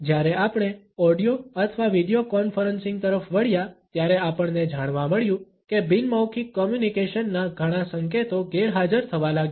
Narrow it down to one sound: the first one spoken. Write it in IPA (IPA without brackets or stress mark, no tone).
d͡ʒ